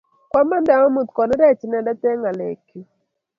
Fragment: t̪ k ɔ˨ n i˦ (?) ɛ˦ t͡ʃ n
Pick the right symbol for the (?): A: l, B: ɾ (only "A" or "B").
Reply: B